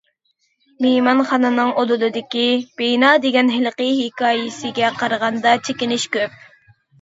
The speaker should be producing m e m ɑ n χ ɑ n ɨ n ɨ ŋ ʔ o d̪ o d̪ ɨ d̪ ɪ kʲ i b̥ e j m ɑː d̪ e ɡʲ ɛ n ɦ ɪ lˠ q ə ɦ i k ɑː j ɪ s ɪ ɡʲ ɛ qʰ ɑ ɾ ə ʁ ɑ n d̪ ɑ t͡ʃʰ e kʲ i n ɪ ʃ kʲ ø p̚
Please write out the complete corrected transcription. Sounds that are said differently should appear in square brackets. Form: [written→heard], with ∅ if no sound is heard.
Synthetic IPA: m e m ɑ n χ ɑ n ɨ n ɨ ŋ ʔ o d̪ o d̪ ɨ d̪ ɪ kʲ i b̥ e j [m→n] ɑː d̪ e ɡʲ ɛ n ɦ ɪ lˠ q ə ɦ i k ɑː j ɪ s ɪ ɡʲ ɛ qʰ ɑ ɾ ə ʁ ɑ n d̪ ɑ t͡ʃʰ e kʲ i n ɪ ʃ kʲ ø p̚